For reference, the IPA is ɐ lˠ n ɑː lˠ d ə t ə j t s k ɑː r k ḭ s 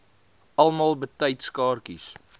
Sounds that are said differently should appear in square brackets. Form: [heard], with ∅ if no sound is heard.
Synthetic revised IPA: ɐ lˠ [m] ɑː lˠ [b] ə t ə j t s k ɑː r k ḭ s